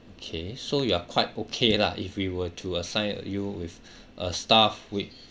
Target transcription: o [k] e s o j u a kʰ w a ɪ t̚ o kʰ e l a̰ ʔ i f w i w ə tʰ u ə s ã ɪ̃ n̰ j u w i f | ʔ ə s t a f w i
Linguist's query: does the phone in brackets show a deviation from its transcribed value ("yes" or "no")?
yes